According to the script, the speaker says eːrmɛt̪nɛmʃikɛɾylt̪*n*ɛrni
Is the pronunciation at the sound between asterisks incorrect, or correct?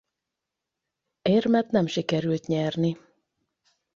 incorrect: ɲ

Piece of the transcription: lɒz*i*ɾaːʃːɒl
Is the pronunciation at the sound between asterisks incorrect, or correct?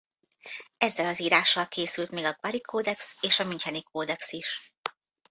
incorrect: iː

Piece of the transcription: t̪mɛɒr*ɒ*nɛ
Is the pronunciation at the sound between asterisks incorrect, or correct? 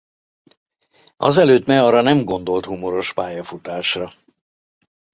correct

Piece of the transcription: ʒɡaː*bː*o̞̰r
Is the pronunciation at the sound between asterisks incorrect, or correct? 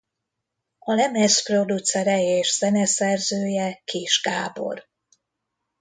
incorrect: b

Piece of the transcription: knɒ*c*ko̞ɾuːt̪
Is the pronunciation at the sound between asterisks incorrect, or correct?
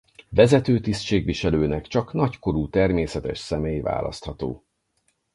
correct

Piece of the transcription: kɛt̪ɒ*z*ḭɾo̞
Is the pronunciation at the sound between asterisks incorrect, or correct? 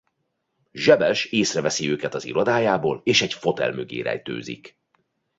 correct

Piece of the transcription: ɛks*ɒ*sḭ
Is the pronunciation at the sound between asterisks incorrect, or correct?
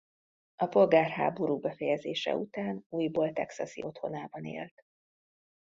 correct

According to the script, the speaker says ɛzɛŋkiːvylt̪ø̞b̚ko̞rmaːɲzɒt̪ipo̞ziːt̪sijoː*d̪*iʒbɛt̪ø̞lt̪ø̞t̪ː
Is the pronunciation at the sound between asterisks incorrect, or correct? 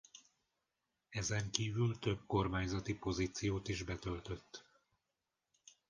incorrect: t̪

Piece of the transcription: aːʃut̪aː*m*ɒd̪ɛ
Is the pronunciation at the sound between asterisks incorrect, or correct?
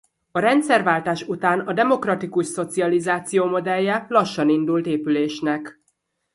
incorrect: n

